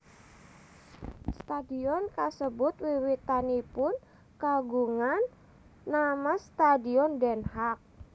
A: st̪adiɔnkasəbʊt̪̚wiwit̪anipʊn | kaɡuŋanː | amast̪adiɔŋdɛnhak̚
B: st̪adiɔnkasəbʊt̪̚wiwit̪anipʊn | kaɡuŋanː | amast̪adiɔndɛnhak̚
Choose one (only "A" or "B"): B